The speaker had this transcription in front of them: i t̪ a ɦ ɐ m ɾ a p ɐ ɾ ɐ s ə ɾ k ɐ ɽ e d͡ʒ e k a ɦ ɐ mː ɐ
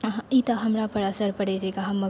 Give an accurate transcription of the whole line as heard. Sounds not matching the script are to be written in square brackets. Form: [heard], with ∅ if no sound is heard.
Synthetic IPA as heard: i t̪ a ɦ ɐ m ɾ a p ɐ ɾ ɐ s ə ɾ [p] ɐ ɽ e d͡ʒ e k a ɦ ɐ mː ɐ